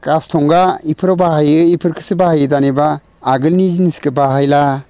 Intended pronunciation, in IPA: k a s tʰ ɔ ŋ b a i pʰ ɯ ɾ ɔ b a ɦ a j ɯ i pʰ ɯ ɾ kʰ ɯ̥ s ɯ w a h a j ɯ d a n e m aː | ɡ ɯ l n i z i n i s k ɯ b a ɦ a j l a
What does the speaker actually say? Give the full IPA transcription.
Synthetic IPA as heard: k a s tʰ ɔ ŋ ɡ a i pʰ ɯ ɾ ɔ b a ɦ a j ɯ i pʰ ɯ ɾ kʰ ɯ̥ s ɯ b a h a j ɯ d a n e b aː | ɡ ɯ l n i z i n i s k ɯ b a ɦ a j l a